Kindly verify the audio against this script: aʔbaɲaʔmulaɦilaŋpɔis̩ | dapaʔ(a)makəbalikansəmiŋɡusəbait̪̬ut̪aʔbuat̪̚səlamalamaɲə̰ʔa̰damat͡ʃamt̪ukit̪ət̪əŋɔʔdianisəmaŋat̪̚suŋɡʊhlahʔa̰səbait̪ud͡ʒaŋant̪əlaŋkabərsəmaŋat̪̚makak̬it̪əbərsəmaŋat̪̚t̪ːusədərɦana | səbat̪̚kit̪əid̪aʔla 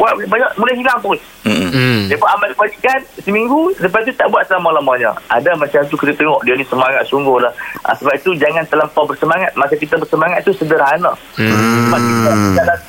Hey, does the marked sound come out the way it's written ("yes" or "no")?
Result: yes